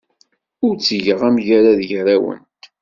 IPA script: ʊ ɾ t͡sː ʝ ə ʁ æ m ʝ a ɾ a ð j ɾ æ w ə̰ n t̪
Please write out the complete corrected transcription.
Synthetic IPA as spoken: ʊ ɾ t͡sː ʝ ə ʁ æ m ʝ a ɾ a ð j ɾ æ w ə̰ n t̪